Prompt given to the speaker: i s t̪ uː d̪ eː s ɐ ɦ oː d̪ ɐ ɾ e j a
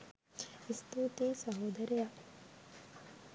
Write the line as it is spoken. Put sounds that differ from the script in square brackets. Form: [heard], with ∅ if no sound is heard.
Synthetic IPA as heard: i s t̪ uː [t̪] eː s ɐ ɦ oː d̪ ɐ ɾ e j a